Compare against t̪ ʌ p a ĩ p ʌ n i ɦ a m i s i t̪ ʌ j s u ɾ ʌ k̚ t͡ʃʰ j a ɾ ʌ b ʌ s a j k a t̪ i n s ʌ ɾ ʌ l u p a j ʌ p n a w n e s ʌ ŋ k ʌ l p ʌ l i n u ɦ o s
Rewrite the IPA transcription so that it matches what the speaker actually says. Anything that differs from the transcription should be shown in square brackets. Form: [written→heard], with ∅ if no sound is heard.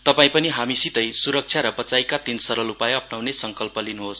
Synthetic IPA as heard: t̪ ʌ p a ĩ p ʌ n i ɦ a m i s i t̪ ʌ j s u ɾ ʌ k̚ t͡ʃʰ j a ɾ ʌ b ʌ [s→t͡s] a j k a t̪ i n s ʌ ɾ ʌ l u p a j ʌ p n a w n e s ʌ ŋ k ʌ l p ʌ l i n u ɦ o s

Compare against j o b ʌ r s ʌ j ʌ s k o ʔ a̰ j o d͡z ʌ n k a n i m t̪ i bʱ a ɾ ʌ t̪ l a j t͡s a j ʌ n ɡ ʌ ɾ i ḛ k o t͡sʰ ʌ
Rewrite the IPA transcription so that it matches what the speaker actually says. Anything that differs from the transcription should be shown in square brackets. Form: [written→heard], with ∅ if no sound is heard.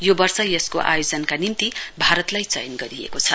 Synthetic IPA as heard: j o b ʌ r s ʌ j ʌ s k o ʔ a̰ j o d͡z ʌ n k a n i m t̪ i bʱ a ɾ ʌ t̪ l a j t͡s [a→ʌ] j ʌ n ɡ ʌ ɾ i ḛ k o t͡sʰ ʌ

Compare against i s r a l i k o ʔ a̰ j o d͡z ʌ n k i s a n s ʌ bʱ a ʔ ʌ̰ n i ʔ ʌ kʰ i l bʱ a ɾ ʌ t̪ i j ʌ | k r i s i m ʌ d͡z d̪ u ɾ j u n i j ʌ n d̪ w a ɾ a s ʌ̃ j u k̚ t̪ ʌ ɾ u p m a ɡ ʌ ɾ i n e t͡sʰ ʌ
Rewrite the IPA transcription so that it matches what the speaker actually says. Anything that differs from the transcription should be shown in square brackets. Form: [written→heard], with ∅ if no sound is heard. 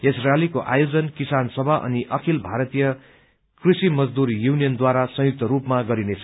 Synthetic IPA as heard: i s r a l i k o ʔ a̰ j o d͡z ʌ n k i s a n s ʌ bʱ a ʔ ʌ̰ n i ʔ ʌ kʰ i l bʱ a ɾ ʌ t̪ i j ʌ | k r i s i m ʌ d͡z d̪ u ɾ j u n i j ʌ n d̪ w a ɾ a s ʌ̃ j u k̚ t̪ ʌ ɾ u p m a ɡ ʌ ɾ i n e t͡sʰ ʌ

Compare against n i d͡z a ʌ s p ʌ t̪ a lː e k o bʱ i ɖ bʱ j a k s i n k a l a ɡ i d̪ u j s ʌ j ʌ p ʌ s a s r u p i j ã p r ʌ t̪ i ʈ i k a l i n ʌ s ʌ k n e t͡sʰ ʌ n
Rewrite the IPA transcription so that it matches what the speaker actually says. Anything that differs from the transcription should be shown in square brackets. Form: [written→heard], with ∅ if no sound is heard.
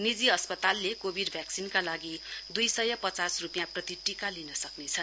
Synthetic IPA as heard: n i d͡z [a→i] ʌ s p ʌ t̪ a lː e k o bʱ i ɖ bʱ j a k s i n k a l a ɡ i d̪ u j s ʌ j ʌ p ʌ [s→t͡s] a s r u p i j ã p r ʌ t̪ i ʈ i k a l i n ʌ s ʌ k n e t͡sʰ ʌ n

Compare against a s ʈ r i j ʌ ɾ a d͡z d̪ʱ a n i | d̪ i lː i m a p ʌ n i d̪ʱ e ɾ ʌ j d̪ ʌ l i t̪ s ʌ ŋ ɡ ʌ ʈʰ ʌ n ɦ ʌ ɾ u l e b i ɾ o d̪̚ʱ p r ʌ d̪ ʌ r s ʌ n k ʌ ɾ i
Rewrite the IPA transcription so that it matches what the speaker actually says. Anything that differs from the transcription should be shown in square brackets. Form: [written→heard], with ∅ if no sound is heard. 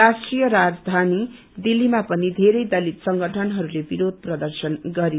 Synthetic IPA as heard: a s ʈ r i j ʌ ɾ a d͡z d̪ʱ a n i | d̪ i lː i m a p ʌ n i d̪ʱ e ɾ ʌ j d̪ ʌ l i t̪ s ʌ ŋ ɡ ʌ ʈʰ ʌ n ɦ ʌ ɾ u l e b i ɾ o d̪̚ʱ p r ʌ d̪ ʌ r s ʌ n [k→ɡ] ʌ ɾ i

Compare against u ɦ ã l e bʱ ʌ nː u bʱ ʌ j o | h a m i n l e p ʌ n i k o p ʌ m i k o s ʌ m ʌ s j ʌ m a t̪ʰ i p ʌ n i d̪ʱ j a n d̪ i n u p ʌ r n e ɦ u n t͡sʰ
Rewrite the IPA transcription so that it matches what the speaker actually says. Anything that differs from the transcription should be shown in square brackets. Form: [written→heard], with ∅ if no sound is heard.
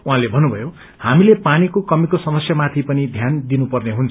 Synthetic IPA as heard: u ɦ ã l e bʱ ʌ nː u bʱ ʌ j o | h a m i [n→∅] l e p [ʌ→a] n i k o [p→k] ʌ m i k o s ʌ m ʌ s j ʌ m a t̪ʰ i p ʌ n i d̪ʱ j a n d̪ i n u p ʌ r n e ɦ u n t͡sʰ

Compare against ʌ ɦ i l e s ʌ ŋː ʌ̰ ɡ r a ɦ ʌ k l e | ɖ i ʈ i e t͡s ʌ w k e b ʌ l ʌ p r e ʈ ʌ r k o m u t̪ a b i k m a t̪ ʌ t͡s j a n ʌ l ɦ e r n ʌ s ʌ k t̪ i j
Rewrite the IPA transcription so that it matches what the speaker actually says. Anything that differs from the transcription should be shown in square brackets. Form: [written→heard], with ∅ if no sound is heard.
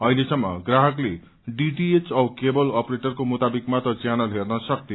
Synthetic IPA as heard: ʌ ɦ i l e s ʌ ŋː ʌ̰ ɡ r a ɦ ʌ k l e | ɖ i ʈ i e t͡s ʌ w k e b ʌ l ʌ p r e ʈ ʌ r k o m u t̪ a b i k m a t̪ ʌ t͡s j a n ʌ l ɦ e r n ʌ s ʌ k t̪ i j

